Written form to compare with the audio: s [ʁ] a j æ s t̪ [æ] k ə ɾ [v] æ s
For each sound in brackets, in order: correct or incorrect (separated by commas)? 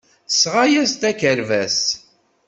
correct, correct, correct